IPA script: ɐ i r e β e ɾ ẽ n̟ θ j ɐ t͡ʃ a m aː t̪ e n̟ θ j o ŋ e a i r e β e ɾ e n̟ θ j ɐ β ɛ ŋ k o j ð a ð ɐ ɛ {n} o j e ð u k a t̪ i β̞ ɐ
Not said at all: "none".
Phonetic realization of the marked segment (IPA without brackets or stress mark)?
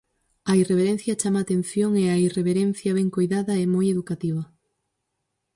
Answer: m